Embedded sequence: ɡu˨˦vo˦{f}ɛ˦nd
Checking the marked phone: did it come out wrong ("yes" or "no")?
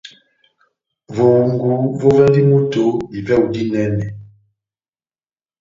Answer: yes